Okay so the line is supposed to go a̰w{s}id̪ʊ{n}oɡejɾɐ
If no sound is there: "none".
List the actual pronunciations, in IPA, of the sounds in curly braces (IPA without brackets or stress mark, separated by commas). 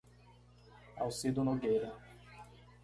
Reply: s, n